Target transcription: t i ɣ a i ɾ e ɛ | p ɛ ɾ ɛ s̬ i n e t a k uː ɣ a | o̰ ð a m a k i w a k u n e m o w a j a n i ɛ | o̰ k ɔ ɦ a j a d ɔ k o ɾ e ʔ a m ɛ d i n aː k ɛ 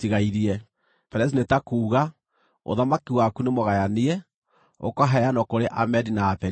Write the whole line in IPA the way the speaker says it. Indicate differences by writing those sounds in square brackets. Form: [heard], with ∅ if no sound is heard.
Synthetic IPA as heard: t i ɣ a i ɾ [i] ɛ | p ɛ ɾ ɛ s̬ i n e t a k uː ɣ a | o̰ ð a m a k i w a k u n e m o [ɣ] a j a n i ɛ | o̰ k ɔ ɦ a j a [n] ɔ k o ɾ e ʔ a m ɛ d i n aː [p] ɛ